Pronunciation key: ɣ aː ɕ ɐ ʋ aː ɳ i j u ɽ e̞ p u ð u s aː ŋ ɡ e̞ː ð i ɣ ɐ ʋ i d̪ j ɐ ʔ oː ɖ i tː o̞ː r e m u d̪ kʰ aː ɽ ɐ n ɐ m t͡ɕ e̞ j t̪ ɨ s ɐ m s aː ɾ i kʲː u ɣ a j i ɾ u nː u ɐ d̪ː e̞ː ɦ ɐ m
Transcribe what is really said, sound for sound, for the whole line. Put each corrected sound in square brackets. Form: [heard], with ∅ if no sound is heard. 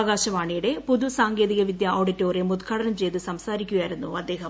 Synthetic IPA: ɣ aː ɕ ɐ ʋ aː ɳ i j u ɽ e̞ p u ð u s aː ŋ ɡ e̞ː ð i ɣ ɐ ʋ i d̪ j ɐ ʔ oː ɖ i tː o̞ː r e m u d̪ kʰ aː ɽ ɐ n ɐ m t͡ɕ e̞ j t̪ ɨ s ɐ m s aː ɾ i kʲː u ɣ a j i ɾ u nː u ɐ d̪ː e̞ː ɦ ɐ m